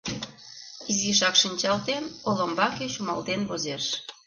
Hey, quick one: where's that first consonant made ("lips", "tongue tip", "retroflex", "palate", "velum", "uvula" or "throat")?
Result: tongue tip